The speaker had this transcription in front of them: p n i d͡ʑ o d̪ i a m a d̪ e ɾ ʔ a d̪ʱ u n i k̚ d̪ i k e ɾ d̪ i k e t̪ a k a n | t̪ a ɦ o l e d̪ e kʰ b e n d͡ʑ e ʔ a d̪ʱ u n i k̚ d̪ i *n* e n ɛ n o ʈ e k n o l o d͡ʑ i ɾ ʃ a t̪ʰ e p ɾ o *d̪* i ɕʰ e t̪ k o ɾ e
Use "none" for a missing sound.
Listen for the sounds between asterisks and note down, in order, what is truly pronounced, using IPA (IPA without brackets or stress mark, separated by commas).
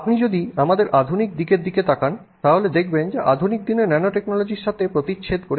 n, t̪